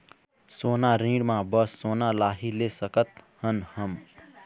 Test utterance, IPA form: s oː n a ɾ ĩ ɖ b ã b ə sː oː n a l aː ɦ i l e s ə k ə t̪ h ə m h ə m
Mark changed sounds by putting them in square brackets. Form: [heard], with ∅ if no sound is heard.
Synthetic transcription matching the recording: s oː n a ɾ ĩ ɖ [m] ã b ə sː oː n a l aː ɦ i l e s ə k ə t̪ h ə [n] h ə m